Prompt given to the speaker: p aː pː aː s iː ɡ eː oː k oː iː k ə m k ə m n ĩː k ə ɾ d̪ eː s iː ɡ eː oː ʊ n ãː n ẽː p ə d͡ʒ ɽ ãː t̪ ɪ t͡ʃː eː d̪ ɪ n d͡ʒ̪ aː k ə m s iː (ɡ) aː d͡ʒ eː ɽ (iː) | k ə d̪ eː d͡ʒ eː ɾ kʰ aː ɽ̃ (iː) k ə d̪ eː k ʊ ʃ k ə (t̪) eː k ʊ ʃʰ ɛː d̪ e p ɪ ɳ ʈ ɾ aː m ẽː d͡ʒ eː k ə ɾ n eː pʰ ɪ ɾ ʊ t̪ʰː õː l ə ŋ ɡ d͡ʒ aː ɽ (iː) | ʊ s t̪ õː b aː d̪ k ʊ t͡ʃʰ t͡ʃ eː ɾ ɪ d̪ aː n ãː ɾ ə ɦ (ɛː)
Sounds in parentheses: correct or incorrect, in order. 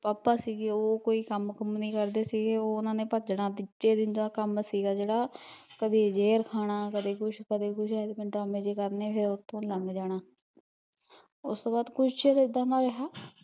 correct, incorrect, incorrect, incorrect, incorrect, incorrect

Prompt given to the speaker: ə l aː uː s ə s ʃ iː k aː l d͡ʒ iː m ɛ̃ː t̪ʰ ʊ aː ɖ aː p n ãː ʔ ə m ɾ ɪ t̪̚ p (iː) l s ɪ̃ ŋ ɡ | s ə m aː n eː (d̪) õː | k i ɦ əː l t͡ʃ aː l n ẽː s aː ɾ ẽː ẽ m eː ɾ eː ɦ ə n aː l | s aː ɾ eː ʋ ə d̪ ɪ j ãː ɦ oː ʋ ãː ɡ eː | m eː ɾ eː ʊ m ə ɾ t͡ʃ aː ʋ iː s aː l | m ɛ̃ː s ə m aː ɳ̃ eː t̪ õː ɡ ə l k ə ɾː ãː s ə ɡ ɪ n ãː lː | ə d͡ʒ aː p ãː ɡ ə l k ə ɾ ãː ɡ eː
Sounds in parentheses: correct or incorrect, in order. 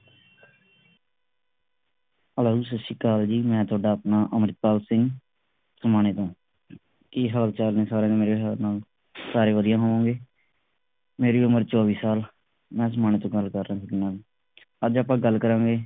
incorrect, incorrect

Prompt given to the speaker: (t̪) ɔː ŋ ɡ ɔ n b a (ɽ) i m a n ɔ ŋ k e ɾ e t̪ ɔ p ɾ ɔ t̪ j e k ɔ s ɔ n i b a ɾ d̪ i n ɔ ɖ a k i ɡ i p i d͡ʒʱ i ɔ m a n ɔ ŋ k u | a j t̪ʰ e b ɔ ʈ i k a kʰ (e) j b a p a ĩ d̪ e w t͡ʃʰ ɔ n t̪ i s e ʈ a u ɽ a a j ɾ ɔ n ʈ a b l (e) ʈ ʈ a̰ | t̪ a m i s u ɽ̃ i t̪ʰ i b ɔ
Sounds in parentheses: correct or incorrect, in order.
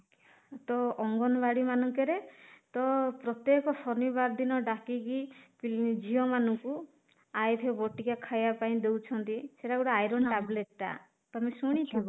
correct, correct, incorrect, correct

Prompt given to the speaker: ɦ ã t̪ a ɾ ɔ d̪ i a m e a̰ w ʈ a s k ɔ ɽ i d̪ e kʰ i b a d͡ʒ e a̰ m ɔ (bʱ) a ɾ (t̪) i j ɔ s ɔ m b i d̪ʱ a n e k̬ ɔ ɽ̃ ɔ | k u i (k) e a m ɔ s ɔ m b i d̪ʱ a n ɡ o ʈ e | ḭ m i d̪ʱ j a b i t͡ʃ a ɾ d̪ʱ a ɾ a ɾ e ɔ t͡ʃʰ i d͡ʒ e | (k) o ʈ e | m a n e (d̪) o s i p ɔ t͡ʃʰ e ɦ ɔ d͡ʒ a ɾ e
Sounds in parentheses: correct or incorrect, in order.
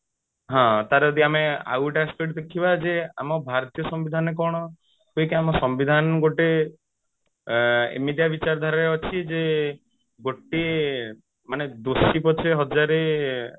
correct, correct, correct, incorrect, correct

